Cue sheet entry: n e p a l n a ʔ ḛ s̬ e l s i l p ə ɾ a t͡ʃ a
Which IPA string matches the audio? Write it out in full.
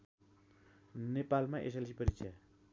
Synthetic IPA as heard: n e p a l m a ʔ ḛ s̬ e l s i p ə ɾ i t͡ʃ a